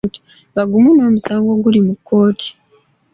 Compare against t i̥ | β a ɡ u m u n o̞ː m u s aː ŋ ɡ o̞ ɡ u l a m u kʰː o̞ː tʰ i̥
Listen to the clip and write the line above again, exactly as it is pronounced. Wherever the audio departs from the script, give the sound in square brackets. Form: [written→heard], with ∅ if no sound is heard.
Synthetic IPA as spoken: t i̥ | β a ɡ u m u n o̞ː m u s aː ŋ ɡ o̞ ɡ u l [a→i] m u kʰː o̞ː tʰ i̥